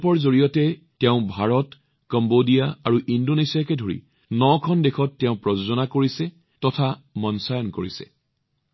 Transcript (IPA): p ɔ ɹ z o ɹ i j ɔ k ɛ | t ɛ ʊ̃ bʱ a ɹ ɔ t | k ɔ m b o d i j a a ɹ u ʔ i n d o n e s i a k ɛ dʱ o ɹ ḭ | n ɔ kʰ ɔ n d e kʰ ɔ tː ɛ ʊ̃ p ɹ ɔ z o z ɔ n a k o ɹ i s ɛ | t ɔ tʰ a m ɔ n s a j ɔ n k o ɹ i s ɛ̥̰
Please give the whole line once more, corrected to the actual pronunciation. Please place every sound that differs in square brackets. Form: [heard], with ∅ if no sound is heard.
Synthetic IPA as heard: p ɔ ɹ z o ɹ i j ɔ [t] ɛ | t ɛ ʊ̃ bʱ a ɹ ɔ t | k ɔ m b o d i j a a ɹ u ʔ i n d o n e s i a k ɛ dʱ o ɹ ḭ | n ɔ kʰ ɔ n d e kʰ ɔ tː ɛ ʊ̃ p ɹ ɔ z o z ɔ n a k o ɹ i s ɛ | t ɔ tʰ a m ɔ n s a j ɔ n k o ɹ i s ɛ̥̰

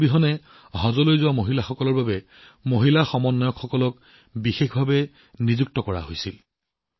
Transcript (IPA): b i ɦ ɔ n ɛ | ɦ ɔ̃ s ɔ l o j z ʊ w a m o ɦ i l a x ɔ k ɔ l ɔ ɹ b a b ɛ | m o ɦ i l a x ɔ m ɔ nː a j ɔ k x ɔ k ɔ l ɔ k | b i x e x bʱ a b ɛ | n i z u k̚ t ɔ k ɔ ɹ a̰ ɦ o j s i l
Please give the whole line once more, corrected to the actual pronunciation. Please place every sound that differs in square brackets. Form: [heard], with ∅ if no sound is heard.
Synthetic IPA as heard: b i ɦ ɔ n ɛ | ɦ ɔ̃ [z] ɔ l o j z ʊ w a m o ɦ i l a x ɔ k ɔ l ɔ ɹ b a b ɛ | m o ɦ i l a x ɔ m ɔ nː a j ɔ k x ɔ k ɔ l ɔ k | b i x e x bʱ a b ɛ | n i z u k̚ t ɔ k ɔ ɹ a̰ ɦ o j s i l

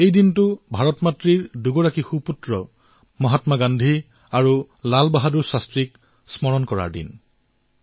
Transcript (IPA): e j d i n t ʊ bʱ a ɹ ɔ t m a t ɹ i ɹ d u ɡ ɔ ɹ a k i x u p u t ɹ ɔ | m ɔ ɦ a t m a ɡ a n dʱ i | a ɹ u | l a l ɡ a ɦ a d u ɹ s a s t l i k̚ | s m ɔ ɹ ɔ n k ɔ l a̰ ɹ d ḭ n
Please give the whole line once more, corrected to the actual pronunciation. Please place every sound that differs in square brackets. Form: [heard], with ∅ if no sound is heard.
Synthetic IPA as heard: e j d i n t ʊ bʱ a ɹ ɔ t m a t ɹ i ɹ d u ɡ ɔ ɹ a k i x u p u t ɹ ɔ | m ɔ ɦ a t m a ɡ a n dʱ i | a ɹ u | l a l [b] a ɦ a d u ɹ s a s t [ɹ] i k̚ | s m ɔ ɹ ɔ n k ɔ [ɹ] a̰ ɹ d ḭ n

